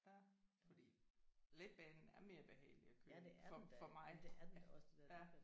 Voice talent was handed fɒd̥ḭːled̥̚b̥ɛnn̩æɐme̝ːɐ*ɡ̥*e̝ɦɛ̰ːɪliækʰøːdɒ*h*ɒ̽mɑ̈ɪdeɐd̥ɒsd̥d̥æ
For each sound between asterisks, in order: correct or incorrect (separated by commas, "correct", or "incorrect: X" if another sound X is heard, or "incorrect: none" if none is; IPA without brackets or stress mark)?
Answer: incorrect: b̥, incorrect: f